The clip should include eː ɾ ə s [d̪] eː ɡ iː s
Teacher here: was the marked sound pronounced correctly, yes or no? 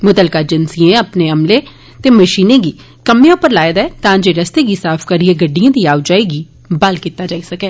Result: no